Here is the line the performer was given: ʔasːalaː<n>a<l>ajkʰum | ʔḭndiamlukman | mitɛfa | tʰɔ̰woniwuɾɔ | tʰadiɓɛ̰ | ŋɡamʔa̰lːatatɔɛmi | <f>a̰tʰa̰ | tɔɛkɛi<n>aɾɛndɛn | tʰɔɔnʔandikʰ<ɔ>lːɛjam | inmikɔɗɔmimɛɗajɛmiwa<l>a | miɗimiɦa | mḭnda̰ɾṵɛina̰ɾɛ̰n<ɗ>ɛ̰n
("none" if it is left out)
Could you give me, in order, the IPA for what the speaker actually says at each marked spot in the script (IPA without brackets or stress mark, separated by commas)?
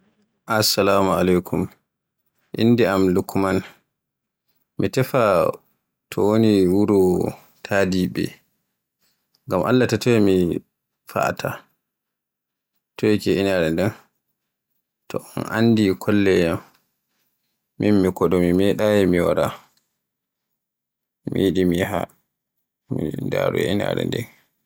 m, l, f, n, ɔ, ɾ, d